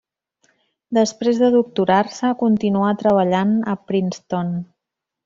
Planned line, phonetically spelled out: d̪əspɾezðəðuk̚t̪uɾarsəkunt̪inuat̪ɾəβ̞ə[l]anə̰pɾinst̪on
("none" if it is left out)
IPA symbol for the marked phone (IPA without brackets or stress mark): ʎ